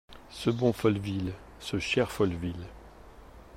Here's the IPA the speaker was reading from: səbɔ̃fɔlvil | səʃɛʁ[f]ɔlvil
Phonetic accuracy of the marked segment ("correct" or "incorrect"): correct